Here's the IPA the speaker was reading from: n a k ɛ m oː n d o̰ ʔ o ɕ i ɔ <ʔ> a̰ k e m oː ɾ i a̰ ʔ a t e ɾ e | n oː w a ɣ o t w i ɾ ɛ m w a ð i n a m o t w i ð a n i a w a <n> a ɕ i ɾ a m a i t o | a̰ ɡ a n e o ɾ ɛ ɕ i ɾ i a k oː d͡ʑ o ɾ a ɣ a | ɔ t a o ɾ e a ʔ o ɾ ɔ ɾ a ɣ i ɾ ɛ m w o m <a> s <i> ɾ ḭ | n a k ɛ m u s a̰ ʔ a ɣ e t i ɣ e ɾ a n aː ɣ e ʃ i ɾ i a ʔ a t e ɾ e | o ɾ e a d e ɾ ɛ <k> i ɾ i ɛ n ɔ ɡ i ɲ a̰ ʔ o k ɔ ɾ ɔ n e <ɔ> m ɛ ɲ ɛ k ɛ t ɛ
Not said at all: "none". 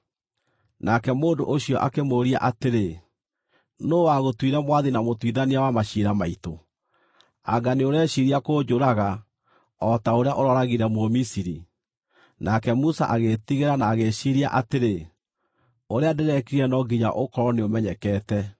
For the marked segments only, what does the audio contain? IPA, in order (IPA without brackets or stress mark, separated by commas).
ʔ, m, i, i, k, o